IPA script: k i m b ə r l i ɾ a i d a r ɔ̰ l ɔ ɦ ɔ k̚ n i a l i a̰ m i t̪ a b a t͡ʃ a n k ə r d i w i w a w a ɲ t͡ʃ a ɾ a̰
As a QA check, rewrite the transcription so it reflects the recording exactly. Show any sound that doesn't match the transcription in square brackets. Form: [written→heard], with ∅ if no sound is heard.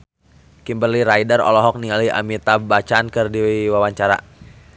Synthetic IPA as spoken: k i m b ə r l i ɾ a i d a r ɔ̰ l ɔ ɦ ɔ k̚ n i a l i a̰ m i t̪ a b a t͡ʃ a n k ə r d i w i w a w a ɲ t͡ʃ a ɾ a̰